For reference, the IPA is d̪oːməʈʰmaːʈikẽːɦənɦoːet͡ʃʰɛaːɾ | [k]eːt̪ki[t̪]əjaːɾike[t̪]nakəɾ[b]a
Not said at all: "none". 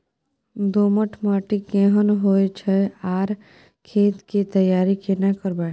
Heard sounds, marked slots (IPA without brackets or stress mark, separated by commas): kʰ, t̪, none, b